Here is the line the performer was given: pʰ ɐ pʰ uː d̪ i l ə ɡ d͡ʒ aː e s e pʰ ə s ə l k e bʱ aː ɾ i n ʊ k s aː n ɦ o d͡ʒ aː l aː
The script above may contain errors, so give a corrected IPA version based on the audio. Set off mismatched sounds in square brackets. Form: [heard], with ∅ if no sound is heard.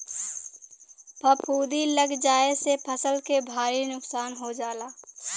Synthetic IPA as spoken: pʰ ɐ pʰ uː d̪ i l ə ɡ d͡ʒ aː e s e pʰ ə s ə l k e bʱ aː ɾ i n ʊ k s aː n ɦ o d͡ʒ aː l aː